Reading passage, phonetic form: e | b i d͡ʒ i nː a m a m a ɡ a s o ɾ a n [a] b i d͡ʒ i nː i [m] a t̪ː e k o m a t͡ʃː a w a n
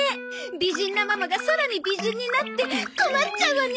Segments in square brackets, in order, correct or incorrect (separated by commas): incorrect, incorrect